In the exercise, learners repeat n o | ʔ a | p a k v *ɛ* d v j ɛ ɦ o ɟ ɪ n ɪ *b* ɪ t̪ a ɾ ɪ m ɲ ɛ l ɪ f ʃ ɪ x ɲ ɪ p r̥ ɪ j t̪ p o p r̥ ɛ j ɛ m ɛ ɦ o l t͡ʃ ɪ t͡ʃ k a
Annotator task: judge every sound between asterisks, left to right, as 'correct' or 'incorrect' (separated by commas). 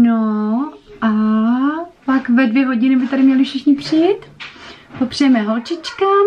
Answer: correct, correct